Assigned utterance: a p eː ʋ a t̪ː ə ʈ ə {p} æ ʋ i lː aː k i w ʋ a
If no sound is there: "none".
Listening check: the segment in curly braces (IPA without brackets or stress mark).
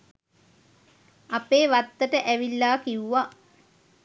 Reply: ʔ